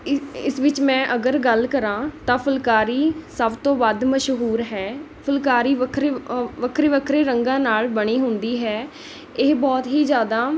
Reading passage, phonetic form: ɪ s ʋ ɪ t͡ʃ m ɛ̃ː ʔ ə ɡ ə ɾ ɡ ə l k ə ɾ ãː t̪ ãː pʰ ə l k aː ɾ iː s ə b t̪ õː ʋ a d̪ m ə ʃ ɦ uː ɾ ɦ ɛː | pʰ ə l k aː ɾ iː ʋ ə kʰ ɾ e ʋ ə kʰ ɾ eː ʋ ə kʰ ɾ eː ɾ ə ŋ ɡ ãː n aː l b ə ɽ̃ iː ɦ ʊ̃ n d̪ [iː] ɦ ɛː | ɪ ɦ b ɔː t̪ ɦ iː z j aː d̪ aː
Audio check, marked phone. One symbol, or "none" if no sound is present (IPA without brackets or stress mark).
iː